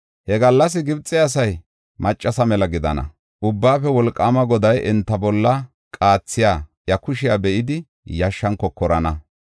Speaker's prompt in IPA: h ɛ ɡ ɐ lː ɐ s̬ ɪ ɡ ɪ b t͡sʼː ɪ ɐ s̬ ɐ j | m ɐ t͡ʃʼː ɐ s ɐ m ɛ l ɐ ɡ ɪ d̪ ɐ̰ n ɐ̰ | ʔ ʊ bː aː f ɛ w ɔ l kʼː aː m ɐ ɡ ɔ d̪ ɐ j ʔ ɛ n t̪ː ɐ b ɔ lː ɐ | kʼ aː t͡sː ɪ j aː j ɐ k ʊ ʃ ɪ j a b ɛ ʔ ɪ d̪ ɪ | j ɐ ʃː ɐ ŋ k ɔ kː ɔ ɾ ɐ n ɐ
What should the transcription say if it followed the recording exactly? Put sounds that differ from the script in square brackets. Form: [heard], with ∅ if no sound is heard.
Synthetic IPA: h ɛ ɡ ɐ lː ɐ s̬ ɪ ɡ ɪ b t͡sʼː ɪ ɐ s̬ ɐ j | m ɐ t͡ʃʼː ɐ s ɐ m ɛ l ɐ ɡ ɪ d̪ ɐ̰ n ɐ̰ | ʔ ʊ bː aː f ɛ w ɔ l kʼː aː m ɐ ɡ ɔ d̪ ɐ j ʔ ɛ n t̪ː ɐ b ɔ lː ɐ | kʼ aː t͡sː ɪ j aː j ɐ k ʊ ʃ ɪ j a b ɛ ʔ ɪ d̪ ɪ | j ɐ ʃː ɐ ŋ k ɔ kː ɔ ɾ ɐ n ɐ

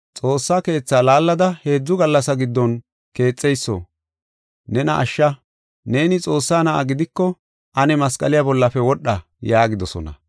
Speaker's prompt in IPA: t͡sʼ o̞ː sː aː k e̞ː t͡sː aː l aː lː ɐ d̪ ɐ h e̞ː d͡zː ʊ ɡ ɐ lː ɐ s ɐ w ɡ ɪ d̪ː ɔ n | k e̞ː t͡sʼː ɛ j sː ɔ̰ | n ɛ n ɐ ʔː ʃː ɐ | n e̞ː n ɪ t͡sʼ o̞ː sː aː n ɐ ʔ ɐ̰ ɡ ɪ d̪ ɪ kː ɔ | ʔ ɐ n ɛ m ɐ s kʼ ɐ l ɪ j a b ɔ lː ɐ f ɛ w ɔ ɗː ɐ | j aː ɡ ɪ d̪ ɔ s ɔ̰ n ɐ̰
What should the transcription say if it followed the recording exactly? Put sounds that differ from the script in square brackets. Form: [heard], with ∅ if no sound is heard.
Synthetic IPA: t͡sʼ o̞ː sː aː k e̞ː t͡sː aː l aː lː ɐ d̪ ɐ h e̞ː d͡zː ʊ ɡ ɐ lː ɐ s ɐ [∅] ɡ ɪ d̪ː ɔ n | k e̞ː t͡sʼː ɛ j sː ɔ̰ | n ɛ n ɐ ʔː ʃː ɐ | n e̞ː n ɪ t͡sʼ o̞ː sː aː n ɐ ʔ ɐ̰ ɡ ɪ d̪ ɪ kː ɔ | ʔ ɐ n ɛ m ɐ s kʼ ɐ l ɪ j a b ɔ lː ɐ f ɛ w ɔ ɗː ɐ | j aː ɡ ɪ d̪ ɔ s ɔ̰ n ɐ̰

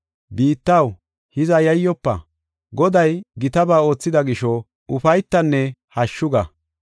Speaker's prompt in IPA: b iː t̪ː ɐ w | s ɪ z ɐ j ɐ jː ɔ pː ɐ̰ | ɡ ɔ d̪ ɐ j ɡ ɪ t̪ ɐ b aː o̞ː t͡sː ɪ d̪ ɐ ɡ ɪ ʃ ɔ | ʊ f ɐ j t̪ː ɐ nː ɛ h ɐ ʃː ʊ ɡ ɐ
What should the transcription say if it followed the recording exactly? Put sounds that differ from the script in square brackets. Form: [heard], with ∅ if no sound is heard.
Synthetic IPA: b iː t̪ː ɐ w | [h] ɪ z ɐ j ɐ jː ɔ pː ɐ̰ | ɡ ɔ d̪ ɐ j ɡ ɪ t̪ ɐ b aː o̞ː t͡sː ɪ d̪ ɐ ɡ ɪ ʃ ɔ | ʊ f ɐ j t̪ː ɐ nː ɛ h ɐ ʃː ʊ ɡ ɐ

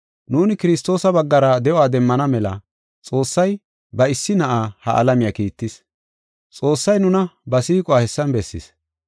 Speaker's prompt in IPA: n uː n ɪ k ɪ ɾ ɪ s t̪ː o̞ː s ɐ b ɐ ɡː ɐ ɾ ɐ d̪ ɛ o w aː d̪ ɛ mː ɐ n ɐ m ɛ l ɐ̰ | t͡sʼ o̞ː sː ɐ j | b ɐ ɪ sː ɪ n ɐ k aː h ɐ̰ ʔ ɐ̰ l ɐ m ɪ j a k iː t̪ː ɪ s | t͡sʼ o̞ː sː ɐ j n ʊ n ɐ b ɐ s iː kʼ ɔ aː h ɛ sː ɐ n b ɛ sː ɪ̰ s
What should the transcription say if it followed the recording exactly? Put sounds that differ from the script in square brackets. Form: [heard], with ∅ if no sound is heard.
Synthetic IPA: n uː n ɪ k ɪ ɾ ɪ s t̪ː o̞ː s ɐ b ɐ ɡː ɐ ɾ ɐ d̪ ɛ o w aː d̪ ɛ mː ɐ n ɐ m ɛ l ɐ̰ | t͡sʼ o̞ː sː ɐ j | b ɐ ɪ sː ɪ n ɐ [ʔ] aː h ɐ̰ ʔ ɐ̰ l ɐ m ɪ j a k iː t̪ː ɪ s | t͡sʼ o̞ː sː ɐ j n ʊ n ɐ b ɐ s iː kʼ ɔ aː h ɛ sː ɐ n b ɛ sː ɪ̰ s

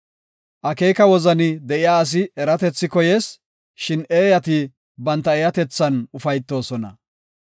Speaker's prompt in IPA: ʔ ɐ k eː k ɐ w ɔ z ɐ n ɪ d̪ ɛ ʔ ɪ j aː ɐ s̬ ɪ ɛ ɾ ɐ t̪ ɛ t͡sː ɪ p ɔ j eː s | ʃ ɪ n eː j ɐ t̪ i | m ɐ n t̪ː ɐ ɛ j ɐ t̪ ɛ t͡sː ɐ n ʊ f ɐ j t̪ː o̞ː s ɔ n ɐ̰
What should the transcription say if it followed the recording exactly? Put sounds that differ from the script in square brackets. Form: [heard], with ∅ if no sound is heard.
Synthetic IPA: ʔ ɐ k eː k ɐ w ɔ z ɐ n ɪ d̪ ɛ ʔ ɪ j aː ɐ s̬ ɪ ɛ ɾ ɐ t̪ ɛ t͡sː ɪ [k] ɔ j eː s | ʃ ɪ n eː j ɐ t̪ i | [b] ɐ n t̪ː ɐ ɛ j ɐ t̪ ɛ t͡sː ɐ n ʊ f ɐ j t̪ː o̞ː s ɔ n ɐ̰

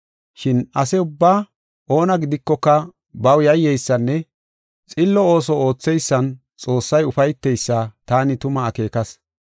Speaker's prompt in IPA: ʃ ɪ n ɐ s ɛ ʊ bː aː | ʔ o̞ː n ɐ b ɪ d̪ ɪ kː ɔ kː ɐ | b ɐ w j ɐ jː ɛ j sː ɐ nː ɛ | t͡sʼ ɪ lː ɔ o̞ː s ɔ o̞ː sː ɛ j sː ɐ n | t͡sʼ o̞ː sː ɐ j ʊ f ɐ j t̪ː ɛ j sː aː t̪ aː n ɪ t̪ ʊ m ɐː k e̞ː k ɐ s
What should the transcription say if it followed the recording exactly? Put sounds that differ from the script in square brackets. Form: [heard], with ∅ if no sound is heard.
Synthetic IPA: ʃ ɪ n ɐ s ɛ ʊ bː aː | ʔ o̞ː n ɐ [ɡ] ɪ d̪ ɪ kː ɔ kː ɐ | b ɐ w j ɐ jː ɛ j sː ɐ nː ɛ | t͡sʼ ɪ lː ɔ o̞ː s ɔ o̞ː [t͡sː] ɛ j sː ɐ n | t͡sʼ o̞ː sː ɐ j ʊ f ɐ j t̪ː ɛ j sː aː t̪ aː n ɪ t̪ ʊ m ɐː k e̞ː k ɐ s

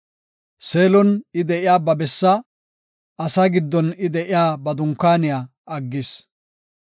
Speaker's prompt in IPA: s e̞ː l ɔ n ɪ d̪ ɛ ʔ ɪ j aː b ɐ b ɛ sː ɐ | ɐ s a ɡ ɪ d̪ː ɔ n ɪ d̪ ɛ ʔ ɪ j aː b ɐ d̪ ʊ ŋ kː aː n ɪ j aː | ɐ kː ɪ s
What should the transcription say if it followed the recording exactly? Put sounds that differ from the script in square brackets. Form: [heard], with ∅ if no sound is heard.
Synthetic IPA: s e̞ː l ɔ n ɪ d̪ ɛ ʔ ɪ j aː b ɐ b ɛ sː ɐ | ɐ s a ɡ ɪ d̪ː ɔ n ɪ d̪ ɛ ʔ ɪ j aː b ɐ d̪ ʊ ŋ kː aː n ɪ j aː | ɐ [ɡː] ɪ s

